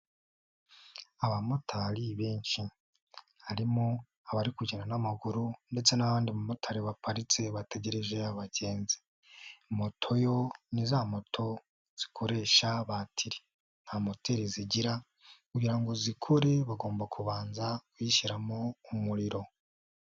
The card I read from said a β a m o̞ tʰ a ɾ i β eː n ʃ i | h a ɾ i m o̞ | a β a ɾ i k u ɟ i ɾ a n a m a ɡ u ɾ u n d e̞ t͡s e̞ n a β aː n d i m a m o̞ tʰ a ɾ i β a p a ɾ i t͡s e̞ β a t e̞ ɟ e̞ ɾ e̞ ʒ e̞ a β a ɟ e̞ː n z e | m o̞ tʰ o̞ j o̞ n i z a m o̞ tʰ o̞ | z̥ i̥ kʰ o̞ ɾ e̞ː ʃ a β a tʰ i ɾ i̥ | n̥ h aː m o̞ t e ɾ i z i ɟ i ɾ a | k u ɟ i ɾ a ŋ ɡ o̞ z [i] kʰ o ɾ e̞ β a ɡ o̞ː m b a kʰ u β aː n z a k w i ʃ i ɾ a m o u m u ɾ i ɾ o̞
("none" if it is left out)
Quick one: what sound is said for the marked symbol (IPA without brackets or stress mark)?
i